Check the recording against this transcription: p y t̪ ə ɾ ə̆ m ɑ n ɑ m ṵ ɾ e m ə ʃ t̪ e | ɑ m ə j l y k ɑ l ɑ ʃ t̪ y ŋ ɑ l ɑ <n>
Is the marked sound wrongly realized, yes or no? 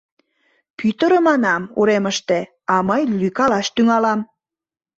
yes